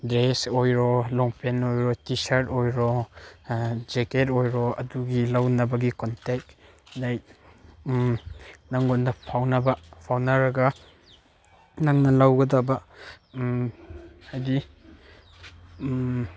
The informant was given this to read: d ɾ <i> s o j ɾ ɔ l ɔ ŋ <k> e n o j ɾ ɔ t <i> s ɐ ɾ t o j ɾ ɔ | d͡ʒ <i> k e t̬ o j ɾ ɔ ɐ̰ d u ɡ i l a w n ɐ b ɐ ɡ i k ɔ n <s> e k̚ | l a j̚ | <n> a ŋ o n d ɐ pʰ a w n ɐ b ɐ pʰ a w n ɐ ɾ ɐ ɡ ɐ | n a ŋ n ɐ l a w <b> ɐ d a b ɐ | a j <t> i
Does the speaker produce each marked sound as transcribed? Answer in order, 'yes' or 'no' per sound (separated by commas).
no, no, yes, no, no, yes, no, no